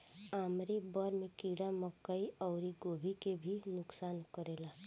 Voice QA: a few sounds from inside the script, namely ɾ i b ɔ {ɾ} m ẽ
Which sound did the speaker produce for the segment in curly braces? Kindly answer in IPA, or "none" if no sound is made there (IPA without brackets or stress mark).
ɾ